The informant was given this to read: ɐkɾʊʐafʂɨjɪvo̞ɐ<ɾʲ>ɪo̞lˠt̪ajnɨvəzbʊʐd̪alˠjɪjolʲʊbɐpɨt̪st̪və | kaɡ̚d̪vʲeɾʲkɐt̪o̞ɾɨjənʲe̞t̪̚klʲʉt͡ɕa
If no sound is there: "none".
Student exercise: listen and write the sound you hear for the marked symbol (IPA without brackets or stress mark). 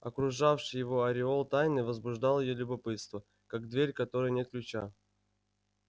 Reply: ɾʲ